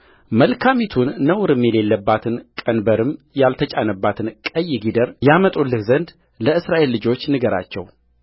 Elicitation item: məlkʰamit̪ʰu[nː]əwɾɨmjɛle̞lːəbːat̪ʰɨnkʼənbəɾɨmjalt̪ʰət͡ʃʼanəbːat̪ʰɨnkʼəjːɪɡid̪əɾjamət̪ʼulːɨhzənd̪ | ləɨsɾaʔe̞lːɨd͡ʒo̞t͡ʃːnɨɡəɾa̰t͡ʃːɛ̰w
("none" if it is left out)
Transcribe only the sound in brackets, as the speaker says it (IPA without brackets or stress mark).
nː